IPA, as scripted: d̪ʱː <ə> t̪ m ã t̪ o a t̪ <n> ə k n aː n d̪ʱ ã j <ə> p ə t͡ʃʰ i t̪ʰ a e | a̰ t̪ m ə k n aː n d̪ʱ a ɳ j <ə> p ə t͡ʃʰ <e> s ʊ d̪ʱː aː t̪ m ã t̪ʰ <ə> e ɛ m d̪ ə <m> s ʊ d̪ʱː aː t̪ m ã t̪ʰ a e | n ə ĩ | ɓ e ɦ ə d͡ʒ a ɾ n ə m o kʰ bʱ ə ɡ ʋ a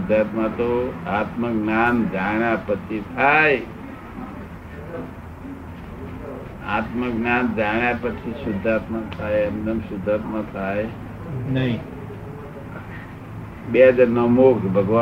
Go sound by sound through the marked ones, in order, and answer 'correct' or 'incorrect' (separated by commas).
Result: incorrect, incorrect, incorrect, incorrect, incorrect, incorrect, correct